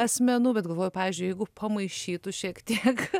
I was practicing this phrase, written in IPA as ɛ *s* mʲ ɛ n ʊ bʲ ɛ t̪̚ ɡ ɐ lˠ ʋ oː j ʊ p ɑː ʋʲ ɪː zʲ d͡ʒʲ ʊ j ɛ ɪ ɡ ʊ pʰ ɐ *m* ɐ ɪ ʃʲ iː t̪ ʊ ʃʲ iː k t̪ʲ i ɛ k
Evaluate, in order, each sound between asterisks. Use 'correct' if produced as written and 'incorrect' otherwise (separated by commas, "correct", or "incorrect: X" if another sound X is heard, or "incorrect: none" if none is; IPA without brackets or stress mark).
correct, correct